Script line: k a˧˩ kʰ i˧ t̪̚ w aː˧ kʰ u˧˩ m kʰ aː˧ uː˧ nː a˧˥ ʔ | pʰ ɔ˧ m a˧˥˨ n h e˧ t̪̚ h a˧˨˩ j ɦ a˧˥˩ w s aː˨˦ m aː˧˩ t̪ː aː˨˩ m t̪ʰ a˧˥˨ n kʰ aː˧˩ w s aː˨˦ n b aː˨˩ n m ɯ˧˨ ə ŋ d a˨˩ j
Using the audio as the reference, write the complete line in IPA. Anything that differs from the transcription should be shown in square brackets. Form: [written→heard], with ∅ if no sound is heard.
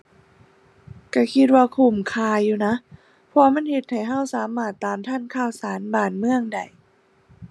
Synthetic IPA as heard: k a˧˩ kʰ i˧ t̪̚ w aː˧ kʰ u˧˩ m kʰ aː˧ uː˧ [nː→n] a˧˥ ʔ | pʰ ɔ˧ m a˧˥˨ n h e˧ t̪̚ h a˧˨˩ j ɦ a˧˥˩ w s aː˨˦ m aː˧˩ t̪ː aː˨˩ m t̪ʰ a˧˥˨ n kʰ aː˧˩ w s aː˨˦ n b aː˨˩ n m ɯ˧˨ ə ŋ d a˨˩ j